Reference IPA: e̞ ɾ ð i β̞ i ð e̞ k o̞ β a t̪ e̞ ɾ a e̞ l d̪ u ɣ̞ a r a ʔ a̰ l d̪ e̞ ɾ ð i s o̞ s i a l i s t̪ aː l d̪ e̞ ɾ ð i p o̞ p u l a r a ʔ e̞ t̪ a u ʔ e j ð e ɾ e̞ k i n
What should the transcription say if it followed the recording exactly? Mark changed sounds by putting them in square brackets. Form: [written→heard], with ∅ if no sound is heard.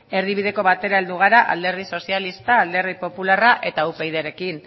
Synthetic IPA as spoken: e̞ ɾ ð i β̞ i ð e̞ k o̞ β a t̪ e̞ ɾ a e̞ l d̪ u ɣ̞ a [r→ɾ] a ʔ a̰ l d̪ e̞ ɾ ð i s o̞ s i a l i s t̪ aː l d̪ e̞ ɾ ð i p o̞ p u l a r a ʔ e̞ t̪ a u [ʔ→p] e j ð e ɾ e̞ k i n

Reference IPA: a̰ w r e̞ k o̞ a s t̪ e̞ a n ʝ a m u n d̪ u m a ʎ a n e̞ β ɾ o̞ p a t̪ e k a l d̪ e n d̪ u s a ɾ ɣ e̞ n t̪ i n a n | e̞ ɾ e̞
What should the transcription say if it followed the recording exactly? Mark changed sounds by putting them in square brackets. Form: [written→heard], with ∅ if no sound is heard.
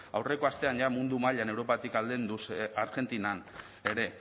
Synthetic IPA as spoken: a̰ w r e̞ k o̞ a s t̪ e̞ a n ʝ a m u n d̪ u m a ʎ a n e̞ [β→w] ɾ o̞ p a t̪ [e→i] k a l d̪ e n d̪ u s a ɾ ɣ e̞ n t̪ i n a n | e̞ ɾ e̞

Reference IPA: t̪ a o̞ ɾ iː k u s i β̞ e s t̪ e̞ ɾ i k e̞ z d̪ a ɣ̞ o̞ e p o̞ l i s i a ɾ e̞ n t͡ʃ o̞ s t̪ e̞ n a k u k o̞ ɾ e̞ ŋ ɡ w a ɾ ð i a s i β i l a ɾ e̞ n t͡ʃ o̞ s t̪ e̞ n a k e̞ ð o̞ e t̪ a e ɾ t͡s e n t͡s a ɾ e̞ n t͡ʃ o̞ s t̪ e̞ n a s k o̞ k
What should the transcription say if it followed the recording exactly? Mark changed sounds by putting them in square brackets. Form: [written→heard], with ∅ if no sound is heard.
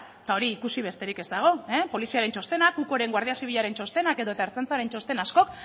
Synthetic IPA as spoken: t̪ a o̞ ɾ iː k u s i β̞ e s t̪ e̞ ɾ i k e̞ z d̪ a ɣ̞ o̞ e p o̞ l i s i a ɾ e̞ n t͡ʃ o̞ s t̪ e̞ n a k u k o̞ ɾ e̞ ŋ ɡ w a ɾ ð i a s i β i [l→ʎ] a ɾ e̞ n t͡ʃ o̞ s t̪ e̞ n a k e̞ ð o̞ e t̪ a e ɾ t͡s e n t͡s a ɾ e̞ n t͡ʃ o̞ s t̪ e̞ n a s k o̞ k

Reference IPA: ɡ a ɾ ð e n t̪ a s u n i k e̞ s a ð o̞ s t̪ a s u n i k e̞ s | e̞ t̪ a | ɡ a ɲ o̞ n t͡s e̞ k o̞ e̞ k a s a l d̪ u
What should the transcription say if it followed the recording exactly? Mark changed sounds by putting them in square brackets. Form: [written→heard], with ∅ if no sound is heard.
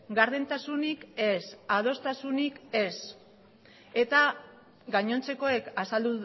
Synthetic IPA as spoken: ɡ a ɾ ð e n t̪ a s u n i k e̞ s a ð o̞ s t̪ a s u n i k e̞ s | e̞ t̪ a | ɡ a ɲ o̞ n t͡s e̞ k o̞ e̞ k a s a l d̪ u

